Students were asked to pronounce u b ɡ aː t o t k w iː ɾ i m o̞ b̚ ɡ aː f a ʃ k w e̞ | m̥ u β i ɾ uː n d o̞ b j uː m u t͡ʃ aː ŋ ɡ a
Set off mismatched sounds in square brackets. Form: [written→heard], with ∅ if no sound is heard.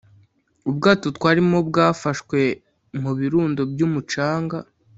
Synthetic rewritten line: u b ɡ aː t o t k w [iː→aː] ɾ i m o̞ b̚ ɡ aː f a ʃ k w e̞ | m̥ u β i ɾ uː n d o̞ b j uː m u t͡ʃ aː ŋ ɡ a

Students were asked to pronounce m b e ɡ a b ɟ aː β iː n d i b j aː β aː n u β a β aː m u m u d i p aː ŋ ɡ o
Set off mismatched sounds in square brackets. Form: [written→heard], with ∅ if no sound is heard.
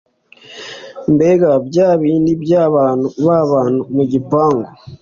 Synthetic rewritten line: m b e ɡ a b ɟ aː β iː n d i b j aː β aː n u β a β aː [m→n] u m u [d→ɟ] i p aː ŋ ɡ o

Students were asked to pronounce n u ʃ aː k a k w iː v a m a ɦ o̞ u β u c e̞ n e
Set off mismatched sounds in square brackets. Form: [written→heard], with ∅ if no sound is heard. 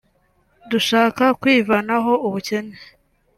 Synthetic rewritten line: [n→d] u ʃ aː k a k w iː v a [m→n] a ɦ o̞ u β u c e̞ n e

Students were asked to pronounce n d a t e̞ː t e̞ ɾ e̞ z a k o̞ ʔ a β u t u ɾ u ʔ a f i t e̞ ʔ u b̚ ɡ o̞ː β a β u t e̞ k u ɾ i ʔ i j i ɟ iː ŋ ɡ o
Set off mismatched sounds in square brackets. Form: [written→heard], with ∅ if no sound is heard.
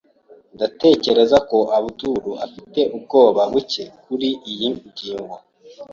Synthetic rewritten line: n d a t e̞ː [t→c] e̞ ɾ e̞ z a k o̞ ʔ a β u t u ɾ u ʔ a f i t e̞ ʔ u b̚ ɡ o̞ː β a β u [t→c] e̞ k u ɾ i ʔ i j i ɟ iː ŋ ɡ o

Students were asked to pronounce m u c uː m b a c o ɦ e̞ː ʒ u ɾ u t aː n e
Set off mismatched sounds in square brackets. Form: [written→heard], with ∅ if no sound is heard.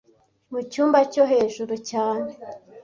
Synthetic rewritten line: m u c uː m b a c o ɦ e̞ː ʒ u ɾ u [t→c] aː n e

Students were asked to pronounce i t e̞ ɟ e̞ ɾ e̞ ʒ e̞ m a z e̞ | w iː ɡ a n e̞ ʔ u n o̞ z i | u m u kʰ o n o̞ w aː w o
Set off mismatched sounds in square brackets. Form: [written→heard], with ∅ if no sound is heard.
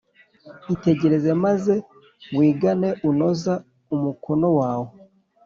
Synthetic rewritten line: i t e̞ ɟ e̞ ɾ e̞ [ʒ→z] e̞ m a z e̞ | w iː ɡ a n e̞ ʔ u n o̞ z [i→a] | u m u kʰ o n o̞ w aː w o

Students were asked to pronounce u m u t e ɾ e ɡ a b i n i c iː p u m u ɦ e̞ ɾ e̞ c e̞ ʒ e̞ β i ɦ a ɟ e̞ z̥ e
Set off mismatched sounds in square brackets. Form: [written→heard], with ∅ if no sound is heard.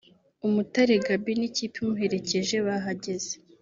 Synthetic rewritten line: u m u t [e→a] ɾ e ɡ a b i n i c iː p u m u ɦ e̞ ɾ e̞ c e̞ ʒ e̞ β [i→a] ɦ a ɟ e̞ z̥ e

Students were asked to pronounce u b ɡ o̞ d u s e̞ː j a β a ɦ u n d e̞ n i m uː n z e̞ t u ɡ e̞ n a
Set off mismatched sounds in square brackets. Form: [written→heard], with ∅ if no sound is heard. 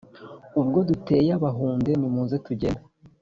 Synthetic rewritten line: u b ɡ o̞ d u [s→t] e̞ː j a β a ɦ [u→uː] n d e̞ n i m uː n z e̞ t u [ɡ→ɟ] e̞ n a

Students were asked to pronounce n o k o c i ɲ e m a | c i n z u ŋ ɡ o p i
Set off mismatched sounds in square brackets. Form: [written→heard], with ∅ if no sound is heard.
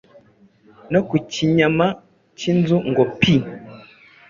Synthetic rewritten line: n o k [o→u] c i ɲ [e→a] m a | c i n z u ŋ ɡ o p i

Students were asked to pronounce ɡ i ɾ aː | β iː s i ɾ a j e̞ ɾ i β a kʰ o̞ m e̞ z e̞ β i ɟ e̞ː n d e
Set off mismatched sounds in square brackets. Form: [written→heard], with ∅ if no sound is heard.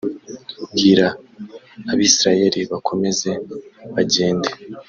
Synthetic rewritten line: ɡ i ɾ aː | β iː s i ɾ a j e̞ ɾ i β a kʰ o̞ m e̞ z e̞ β [i→a] ɟ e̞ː n d e

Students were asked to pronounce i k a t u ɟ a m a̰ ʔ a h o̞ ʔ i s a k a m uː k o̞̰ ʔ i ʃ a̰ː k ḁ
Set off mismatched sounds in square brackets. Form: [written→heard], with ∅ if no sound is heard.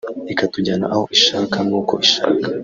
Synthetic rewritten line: i k a t u ɟ a [m→n] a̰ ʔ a h o̞ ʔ i [s→ʃ] a k a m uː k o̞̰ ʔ i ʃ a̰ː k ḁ

